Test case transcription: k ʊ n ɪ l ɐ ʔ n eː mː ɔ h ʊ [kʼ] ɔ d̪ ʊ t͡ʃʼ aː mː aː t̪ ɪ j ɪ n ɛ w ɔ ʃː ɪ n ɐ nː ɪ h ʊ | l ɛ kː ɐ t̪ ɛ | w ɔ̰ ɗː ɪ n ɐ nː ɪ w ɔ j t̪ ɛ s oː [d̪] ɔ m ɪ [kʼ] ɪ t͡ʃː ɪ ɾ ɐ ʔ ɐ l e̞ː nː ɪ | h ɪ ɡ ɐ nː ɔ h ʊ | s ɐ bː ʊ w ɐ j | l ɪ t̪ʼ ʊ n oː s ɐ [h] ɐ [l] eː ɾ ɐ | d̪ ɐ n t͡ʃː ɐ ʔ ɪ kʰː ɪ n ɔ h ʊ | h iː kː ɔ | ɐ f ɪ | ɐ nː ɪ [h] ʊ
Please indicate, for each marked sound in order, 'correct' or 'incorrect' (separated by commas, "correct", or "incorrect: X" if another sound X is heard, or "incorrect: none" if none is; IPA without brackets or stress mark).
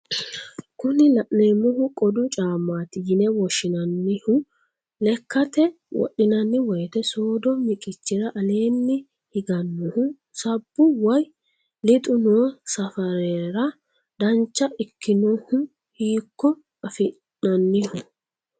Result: correct, correct, correct, incorrect: f, incorrect: ɾ, correct